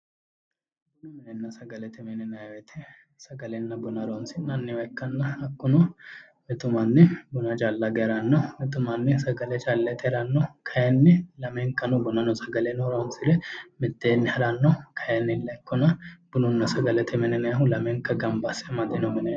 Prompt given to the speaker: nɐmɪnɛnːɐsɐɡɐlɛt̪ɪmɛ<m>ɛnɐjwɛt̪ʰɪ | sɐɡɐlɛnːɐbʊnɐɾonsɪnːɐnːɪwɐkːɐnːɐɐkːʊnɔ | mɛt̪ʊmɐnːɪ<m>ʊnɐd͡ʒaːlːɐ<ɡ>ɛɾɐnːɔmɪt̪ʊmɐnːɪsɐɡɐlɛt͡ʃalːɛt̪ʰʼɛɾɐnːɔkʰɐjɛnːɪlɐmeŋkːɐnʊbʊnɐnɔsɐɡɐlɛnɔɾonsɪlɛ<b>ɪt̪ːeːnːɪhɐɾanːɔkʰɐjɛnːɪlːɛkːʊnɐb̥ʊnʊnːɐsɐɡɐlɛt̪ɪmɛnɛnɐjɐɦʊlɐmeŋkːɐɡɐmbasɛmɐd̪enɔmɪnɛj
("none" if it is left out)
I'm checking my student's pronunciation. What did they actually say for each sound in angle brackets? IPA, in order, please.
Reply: n, b, ɡ, m

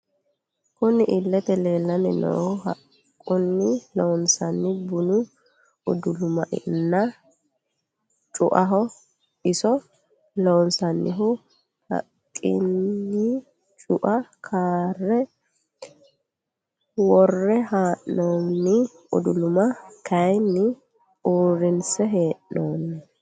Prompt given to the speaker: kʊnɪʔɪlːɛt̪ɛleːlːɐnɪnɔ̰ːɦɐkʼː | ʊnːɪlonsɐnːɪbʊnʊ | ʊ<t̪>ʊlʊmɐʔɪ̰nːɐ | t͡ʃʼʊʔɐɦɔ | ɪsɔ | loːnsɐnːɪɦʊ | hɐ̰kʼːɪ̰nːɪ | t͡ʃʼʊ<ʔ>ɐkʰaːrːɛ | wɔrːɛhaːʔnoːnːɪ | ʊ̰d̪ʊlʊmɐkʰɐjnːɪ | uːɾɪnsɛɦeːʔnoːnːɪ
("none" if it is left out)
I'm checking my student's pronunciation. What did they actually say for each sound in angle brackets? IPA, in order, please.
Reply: d̪, ʔ

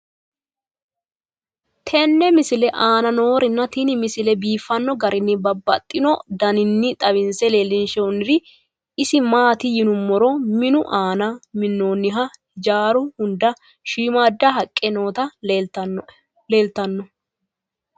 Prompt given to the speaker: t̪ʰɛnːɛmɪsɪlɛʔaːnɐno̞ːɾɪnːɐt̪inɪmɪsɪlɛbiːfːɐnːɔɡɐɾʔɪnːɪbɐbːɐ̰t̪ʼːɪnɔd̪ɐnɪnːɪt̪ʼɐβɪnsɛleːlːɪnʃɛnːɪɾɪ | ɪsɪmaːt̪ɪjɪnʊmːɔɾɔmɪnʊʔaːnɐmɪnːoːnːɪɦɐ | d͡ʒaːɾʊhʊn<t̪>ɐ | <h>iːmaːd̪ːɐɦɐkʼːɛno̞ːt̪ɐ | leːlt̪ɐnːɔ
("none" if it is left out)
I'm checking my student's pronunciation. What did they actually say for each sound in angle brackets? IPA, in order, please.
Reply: d̪, ʃ

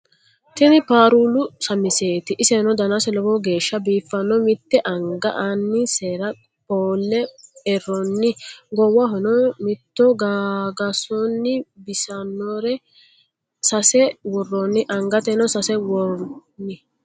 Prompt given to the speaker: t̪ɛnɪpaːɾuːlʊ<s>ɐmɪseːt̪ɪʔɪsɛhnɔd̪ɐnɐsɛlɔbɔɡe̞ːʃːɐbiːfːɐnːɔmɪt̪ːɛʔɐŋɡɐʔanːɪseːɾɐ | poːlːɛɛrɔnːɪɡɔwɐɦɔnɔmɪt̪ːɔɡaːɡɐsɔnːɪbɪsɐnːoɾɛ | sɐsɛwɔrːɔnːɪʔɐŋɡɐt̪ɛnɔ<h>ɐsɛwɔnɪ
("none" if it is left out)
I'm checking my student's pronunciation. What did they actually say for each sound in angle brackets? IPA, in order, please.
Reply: s, s

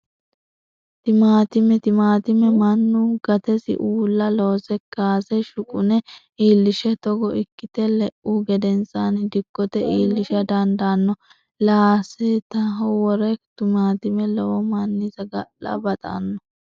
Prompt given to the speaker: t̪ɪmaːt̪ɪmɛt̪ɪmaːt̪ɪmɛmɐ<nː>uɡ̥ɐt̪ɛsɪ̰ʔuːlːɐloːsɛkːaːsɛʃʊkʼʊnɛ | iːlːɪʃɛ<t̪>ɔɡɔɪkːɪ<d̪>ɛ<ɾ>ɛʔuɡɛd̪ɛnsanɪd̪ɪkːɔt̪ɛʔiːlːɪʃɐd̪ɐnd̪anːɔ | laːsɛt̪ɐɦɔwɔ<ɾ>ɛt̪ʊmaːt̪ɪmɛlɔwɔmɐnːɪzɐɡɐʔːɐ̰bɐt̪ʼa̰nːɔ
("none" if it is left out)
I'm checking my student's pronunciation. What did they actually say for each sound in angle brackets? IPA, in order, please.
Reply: nː, t̪, t̪, l, ɾ

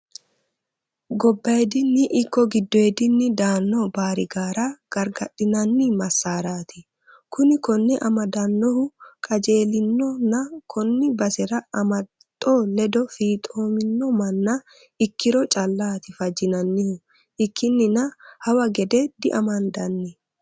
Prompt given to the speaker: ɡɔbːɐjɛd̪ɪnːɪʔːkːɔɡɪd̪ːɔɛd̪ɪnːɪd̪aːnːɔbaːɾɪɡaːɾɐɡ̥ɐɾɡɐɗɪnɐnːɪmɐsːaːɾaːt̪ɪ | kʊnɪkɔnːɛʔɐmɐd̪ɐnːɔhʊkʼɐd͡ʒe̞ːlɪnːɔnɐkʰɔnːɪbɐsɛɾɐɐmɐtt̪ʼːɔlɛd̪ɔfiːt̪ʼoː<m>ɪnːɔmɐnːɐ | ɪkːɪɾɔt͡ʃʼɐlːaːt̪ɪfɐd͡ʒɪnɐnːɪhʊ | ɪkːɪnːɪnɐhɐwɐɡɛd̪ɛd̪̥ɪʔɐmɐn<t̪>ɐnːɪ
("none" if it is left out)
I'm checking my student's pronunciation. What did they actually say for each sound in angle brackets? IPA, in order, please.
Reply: m, d̪

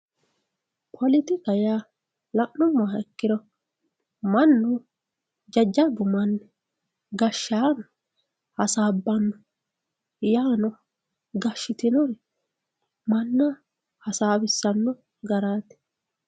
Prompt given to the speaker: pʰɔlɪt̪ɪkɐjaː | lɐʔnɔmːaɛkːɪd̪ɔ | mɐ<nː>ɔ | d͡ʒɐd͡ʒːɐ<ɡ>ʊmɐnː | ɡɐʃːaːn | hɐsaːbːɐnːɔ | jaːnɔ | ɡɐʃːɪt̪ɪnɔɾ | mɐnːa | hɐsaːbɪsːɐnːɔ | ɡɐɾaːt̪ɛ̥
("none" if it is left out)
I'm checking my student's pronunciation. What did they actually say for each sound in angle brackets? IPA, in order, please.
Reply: nː, b

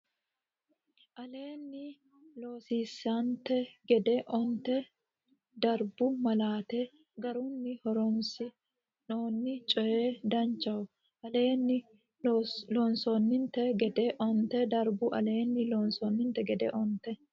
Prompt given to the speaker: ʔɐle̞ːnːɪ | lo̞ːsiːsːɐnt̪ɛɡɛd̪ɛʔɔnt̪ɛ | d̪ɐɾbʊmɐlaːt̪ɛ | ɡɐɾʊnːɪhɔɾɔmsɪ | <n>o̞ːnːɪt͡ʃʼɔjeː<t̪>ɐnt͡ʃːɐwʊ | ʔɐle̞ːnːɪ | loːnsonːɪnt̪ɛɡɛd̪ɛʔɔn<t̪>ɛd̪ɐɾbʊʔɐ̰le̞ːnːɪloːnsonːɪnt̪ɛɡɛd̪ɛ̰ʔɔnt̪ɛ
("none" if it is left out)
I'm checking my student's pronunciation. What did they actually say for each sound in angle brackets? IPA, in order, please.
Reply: n, d̪, t̪

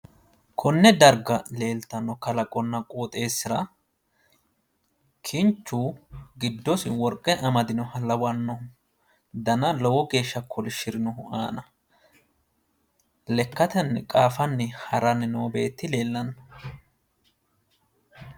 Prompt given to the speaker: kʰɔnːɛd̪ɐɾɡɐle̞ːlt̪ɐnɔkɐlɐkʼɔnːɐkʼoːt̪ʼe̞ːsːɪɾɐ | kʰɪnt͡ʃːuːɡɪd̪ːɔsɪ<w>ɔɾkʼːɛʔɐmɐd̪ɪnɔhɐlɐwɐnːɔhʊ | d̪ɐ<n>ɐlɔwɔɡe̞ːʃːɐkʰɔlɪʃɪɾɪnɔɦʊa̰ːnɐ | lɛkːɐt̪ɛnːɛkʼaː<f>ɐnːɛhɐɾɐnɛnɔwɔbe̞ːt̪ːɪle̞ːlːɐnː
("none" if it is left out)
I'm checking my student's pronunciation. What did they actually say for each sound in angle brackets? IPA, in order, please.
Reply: w, n, f

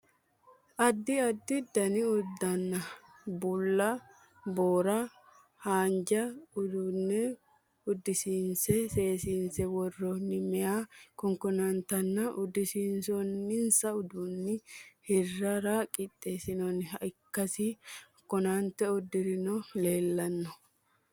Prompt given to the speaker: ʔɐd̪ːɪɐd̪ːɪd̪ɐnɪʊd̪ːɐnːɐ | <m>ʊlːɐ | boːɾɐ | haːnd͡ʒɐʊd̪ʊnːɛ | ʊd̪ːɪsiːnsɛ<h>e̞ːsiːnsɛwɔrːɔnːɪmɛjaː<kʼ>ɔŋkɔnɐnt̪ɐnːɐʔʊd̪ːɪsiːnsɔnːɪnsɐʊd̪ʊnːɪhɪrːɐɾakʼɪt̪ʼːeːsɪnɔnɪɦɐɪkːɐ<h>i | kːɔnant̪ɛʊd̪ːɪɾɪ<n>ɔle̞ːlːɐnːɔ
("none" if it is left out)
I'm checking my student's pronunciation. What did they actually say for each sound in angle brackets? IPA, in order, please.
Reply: b, s, k, s, n

